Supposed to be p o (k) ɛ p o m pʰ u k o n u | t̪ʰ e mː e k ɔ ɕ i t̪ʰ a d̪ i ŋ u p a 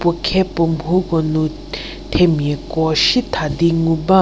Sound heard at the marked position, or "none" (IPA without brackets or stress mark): kʰ